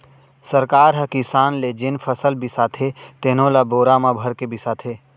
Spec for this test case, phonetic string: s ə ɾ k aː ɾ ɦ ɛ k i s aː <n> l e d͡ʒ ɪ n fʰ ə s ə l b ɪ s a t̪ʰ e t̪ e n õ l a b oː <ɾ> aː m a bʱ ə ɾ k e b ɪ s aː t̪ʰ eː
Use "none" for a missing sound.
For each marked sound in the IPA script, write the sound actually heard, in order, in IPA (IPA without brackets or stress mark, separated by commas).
n, ɾ